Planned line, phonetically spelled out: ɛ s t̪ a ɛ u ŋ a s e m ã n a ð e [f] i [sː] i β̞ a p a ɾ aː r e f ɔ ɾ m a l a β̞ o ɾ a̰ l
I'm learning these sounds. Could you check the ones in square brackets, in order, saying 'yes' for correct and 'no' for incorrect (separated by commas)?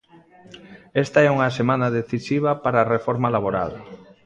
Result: no, no